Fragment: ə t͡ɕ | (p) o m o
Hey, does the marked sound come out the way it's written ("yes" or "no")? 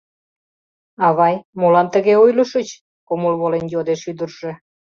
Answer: no